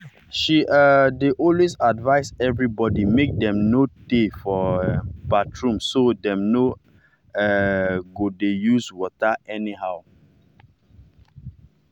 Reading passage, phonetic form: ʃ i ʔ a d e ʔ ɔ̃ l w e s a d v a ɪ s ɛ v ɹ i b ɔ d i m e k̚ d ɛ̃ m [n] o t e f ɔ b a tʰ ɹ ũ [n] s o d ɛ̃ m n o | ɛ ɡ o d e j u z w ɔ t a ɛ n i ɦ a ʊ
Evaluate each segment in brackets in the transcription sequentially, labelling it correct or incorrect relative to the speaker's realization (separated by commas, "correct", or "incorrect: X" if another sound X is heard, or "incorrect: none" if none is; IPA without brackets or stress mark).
correct, incorrect: m